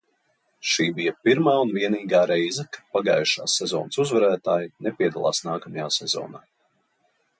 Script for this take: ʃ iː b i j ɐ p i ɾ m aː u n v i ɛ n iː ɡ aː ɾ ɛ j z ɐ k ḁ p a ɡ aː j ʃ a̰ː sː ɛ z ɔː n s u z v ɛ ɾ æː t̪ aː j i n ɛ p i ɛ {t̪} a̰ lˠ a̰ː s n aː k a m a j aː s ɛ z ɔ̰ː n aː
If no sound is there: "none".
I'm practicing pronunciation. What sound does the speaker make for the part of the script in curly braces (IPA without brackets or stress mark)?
d̪